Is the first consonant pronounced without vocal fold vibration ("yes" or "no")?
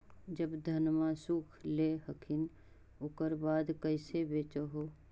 no